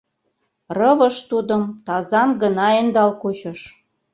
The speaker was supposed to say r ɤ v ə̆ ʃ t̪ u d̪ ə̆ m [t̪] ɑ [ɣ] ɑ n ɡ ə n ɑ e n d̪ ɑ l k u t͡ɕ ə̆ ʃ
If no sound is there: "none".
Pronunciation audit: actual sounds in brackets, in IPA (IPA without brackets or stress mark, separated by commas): t̪, z